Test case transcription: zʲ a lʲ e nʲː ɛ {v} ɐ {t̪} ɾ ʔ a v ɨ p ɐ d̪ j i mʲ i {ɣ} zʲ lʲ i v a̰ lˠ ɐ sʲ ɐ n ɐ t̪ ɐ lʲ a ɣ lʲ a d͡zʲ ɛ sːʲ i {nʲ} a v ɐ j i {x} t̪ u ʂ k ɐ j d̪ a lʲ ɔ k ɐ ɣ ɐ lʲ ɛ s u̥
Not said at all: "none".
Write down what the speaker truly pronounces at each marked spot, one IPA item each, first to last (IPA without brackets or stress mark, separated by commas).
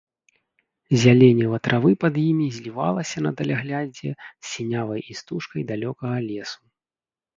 v, t̪, none, nʲ, s